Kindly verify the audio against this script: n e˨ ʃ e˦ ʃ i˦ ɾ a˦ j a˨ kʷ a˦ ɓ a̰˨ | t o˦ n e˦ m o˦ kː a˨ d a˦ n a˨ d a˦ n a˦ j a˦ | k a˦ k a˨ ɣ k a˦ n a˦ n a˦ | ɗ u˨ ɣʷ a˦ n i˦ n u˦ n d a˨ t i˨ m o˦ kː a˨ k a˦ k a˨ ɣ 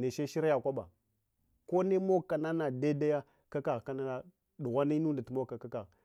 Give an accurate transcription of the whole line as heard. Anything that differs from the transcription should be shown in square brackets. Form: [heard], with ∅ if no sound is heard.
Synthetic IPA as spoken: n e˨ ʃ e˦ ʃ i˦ ɾ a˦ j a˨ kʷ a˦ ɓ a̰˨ | [k] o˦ n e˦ m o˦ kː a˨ [n] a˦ n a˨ d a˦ [d] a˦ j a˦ | k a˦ k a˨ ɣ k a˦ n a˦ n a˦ | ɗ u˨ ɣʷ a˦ n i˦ n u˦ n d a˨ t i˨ m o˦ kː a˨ k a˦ k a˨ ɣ